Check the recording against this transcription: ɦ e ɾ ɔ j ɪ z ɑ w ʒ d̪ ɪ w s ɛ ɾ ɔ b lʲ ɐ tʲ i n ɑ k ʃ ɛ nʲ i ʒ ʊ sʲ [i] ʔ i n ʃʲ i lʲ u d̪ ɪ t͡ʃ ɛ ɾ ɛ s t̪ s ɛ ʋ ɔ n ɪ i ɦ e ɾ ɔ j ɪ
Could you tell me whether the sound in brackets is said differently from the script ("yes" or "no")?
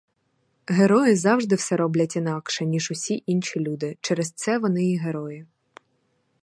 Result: no